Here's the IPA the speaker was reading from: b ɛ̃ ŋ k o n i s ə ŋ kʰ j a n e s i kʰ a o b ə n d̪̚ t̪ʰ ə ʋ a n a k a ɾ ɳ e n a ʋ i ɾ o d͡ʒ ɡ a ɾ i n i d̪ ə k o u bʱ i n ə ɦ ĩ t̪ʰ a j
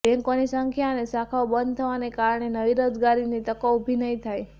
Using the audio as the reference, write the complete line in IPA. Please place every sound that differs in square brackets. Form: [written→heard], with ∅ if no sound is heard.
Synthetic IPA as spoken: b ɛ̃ ŋ k o n i s ə ŋ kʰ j a n e s [i→a] kʰ a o b ə n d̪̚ t̪ʰ ə ʋ a n [a→e] k a ɾ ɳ e n [a→ə] ʋ i ɾ o d͡ʒ ɡ a ɾ i n i [d̪→t̪] ə k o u bʱ i n ə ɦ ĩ t̪ʰ a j